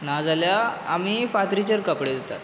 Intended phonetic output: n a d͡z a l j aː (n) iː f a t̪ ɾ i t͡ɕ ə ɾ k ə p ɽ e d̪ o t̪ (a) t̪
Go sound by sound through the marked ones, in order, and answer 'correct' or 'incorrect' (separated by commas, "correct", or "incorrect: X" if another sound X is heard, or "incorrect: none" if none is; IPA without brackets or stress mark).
incorrect: m, correct